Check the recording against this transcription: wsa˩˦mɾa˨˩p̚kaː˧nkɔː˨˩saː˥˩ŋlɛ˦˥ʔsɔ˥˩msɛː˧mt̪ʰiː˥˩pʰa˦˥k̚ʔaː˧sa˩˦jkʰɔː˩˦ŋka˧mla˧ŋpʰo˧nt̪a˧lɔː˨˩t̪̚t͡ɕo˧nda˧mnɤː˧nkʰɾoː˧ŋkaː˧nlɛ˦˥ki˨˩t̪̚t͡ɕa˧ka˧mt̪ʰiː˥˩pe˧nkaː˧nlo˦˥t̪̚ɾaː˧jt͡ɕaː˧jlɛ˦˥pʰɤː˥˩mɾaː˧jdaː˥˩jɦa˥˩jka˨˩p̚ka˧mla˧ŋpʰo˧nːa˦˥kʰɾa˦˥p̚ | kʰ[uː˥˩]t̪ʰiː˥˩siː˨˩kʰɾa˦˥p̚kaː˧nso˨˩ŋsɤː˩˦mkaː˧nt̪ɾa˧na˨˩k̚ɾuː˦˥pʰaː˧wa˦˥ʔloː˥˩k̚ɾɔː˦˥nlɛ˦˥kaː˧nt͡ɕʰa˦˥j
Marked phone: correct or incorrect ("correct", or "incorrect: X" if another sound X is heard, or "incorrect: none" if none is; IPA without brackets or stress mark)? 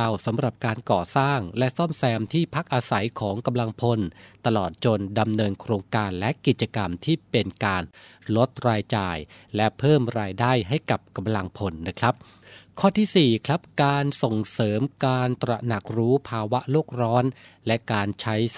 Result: incorrect: ɔː˥˩